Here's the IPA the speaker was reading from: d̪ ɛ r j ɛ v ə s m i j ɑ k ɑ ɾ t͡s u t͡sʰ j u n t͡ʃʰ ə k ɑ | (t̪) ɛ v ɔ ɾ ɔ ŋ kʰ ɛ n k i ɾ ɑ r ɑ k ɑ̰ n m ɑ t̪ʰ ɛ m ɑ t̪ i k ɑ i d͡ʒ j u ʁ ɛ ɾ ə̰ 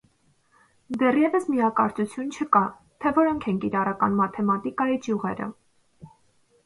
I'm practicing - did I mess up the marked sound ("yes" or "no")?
yes